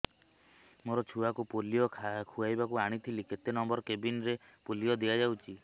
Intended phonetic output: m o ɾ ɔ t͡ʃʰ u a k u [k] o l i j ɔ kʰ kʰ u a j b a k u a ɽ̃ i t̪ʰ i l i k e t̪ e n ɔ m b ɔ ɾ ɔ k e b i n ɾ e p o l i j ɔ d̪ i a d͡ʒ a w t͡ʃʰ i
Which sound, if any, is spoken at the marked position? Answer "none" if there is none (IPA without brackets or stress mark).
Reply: p